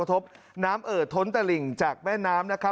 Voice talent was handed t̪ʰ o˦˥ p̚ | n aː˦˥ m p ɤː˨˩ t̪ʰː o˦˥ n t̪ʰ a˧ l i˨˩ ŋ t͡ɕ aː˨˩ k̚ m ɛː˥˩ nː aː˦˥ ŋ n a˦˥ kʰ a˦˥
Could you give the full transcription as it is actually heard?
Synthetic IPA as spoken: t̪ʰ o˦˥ p̚ | n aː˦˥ m ʔ ɤː˨˩ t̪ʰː o˦˥ n t̪ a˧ l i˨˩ ŋ t͡ɕ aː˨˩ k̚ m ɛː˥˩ nː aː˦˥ m n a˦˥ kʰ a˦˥